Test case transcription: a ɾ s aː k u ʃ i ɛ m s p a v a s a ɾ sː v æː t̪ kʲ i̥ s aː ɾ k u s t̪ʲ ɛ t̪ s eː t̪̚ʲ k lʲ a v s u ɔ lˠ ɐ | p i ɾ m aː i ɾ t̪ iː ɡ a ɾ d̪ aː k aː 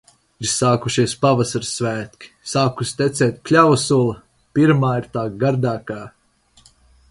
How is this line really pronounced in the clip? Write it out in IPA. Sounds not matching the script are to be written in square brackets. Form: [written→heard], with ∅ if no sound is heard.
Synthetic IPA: [a→i] ɾ s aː k u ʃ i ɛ [m→∅] s p a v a s a ɾ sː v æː t̪ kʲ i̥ s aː [ɾ→∅] k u s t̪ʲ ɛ t̪ s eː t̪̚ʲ k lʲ a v s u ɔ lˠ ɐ | p i ɾ m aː i ɾ t̪ [iː→aː] ɡ a ɾ d̪ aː k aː